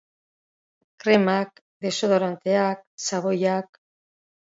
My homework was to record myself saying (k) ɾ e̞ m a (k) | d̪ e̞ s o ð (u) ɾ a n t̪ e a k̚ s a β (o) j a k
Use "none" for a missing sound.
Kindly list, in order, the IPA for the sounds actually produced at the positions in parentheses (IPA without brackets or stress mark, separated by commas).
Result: k, k, o, o